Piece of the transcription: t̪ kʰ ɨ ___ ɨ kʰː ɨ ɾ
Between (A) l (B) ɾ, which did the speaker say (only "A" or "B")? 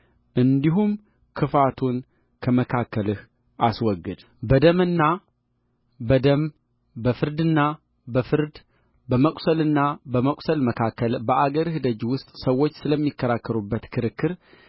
B